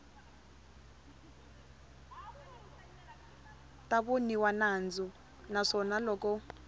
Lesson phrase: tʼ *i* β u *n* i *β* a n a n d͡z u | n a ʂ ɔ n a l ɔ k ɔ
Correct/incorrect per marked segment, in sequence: incorrect, correct, incorrect

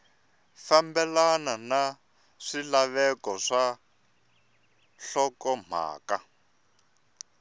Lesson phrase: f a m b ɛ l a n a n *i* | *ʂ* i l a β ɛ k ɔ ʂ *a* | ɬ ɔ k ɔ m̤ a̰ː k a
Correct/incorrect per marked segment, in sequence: incorrect, correct, correct

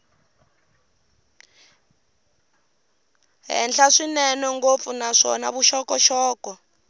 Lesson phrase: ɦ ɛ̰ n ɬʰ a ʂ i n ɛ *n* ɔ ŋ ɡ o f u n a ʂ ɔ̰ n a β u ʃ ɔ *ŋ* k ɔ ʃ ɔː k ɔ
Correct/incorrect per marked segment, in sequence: correct, incorrect

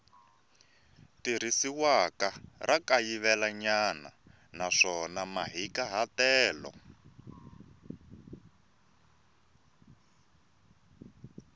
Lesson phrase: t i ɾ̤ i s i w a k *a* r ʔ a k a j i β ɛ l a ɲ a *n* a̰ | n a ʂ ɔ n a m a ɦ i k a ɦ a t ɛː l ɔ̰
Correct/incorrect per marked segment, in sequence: correct, correct

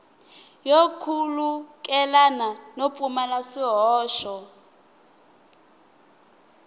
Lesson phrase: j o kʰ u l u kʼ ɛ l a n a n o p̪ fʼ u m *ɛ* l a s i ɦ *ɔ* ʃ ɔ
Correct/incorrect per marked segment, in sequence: incorrect, incorrect

